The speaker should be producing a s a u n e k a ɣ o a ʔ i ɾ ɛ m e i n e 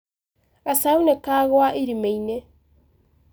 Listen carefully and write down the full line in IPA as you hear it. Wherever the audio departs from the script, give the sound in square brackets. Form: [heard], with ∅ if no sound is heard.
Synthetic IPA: a s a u n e k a ɣ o a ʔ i ɾ [i] m e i n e